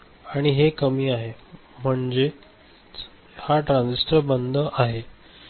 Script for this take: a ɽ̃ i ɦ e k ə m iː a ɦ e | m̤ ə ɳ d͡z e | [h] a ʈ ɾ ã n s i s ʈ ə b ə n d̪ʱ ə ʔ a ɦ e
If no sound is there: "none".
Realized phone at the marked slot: h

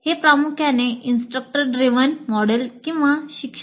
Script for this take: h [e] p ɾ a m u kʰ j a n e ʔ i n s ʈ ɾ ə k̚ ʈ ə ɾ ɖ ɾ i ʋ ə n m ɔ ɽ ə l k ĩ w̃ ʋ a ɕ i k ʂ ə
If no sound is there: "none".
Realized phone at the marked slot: e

